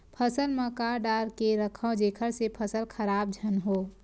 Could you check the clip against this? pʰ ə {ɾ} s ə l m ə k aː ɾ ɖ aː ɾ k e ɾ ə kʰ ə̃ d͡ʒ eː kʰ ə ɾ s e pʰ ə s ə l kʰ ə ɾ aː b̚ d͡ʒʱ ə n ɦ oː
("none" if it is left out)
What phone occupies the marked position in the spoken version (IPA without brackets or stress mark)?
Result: none